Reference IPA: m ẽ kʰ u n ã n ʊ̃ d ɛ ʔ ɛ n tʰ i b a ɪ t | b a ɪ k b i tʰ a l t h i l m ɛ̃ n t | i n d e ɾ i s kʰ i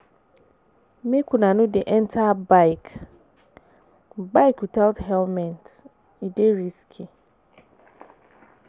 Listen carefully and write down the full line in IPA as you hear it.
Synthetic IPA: m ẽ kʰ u n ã n ʊ̃ d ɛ ʔ ɛ n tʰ a b a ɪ k | b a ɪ k w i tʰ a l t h ɛ l m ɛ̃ n t | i d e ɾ i s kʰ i